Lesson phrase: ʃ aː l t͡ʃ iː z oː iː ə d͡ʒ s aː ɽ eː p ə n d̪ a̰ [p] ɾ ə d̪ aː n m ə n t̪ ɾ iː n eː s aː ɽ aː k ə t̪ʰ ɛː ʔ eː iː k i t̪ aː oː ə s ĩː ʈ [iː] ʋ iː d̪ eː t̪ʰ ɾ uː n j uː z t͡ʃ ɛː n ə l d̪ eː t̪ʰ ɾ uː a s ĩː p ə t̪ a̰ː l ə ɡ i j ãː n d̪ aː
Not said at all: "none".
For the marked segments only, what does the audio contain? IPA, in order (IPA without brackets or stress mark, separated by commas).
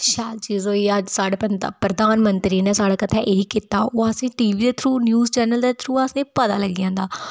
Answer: p, iː